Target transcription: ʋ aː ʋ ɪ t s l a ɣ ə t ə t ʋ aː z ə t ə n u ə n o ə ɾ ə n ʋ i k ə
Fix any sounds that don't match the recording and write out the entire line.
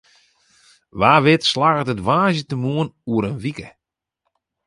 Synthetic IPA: ʋ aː ʋ ɪ t s l a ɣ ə t ə t ʋ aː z ə t ə m u ə n u ə ɾ ə n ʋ i k ə